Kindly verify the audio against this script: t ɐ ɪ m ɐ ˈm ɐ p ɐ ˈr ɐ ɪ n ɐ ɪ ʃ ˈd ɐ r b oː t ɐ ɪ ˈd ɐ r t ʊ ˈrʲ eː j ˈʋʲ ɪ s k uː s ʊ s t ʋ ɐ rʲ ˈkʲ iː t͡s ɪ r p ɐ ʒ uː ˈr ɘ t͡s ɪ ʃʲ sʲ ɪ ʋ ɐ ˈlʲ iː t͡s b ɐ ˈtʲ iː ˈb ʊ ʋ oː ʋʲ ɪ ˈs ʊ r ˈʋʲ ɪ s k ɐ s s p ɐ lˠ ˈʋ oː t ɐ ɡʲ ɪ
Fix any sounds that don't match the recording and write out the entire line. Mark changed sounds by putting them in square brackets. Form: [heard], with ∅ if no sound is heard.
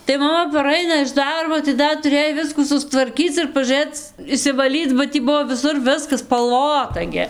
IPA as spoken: t ɐ ɪ m ɐ ˈm ɐ p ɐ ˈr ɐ ɪ n ɐ ɪ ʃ ˈd ɐ r b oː t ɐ ɪ ˈd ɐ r t ʊ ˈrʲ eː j ˈʋʲ ɪ s k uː s ʊ s t ʋ ɐ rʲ ˈkʲ iː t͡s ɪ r p ɐ ʒ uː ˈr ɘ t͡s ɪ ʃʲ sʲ ɪ ʋ ɐ ˈlʲ iː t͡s b ɐ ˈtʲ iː ˈb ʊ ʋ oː ʋʲ ɪ ˈs ʊ r ˈʋʲ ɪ s k ɐ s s p ɐ lˠ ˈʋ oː t ɐ ɡʲ ɪ